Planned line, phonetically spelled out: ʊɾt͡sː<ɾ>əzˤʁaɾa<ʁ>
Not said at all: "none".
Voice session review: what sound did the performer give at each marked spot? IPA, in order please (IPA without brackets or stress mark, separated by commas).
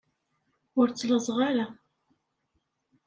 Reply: l, none